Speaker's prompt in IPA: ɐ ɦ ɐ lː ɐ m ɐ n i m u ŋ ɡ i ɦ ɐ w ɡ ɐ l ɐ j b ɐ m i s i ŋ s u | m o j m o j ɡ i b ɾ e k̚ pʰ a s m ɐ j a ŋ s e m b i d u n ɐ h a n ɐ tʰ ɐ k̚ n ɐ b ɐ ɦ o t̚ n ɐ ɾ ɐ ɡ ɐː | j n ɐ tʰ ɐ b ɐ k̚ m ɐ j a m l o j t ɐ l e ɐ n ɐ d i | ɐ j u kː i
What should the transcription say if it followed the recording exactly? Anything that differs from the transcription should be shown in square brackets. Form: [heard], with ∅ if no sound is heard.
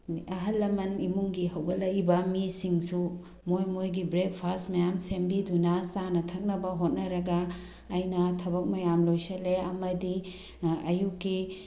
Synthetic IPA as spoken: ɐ ɦ ɐ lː ɐ m ɐ n i m u ŋ ɡ i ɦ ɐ w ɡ ɐ l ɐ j b ɐ m i s i ŋ s u | m o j m o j ɡ i b ɾ e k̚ pʰ a s m ɐ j a [m] s e m b i d u n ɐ [s] a n ɐ tʰ ɐ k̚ n ɐ b ɐ ɦ o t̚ n ɐ ɾ ɐ ɡ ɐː | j n ɐ tʰ ɐ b ɐ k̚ m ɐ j a m l o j [s] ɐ l e ɐ [m] ɐ d i | ɐ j u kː i